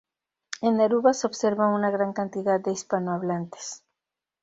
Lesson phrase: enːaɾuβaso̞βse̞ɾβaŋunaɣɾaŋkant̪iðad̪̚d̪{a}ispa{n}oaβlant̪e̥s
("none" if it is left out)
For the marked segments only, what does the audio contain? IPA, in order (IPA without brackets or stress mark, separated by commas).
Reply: e, n